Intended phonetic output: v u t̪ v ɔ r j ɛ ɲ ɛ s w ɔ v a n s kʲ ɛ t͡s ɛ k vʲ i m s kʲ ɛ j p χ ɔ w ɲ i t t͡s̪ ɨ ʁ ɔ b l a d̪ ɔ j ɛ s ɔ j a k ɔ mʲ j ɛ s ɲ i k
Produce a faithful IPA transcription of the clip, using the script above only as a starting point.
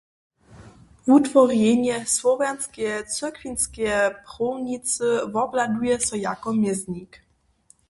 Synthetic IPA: v u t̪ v ɔ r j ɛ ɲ ɛ s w ɔ v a n s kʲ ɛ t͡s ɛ k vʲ i n s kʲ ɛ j p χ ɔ w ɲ i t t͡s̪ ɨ v ɔ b l a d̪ u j ɛ s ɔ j a k ɔ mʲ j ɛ z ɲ i k